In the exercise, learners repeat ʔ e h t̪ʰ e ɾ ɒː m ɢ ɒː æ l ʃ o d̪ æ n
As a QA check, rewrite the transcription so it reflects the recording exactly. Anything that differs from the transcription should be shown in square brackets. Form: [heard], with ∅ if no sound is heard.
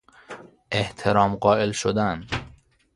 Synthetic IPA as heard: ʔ e h t̪ʰ e ɾ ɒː m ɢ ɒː [e] l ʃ o d̪ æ n